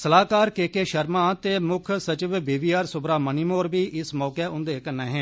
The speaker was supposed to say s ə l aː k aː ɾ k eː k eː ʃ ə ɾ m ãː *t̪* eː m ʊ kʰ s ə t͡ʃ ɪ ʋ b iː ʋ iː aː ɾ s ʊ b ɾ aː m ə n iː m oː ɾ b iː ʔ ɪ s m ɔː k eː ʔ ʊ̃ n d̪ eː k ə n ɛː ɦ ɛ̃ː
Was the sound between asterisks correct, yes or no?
yes